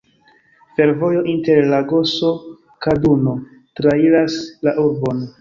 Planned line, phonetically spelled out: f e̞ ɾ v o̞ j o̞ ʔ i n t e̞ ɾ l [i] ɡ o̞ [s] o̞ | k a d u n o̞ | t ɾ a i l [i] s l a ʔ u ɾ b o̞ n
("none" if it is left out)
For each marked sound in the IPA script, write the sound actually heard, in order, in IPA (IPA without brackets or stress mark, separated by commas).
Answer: a, s, a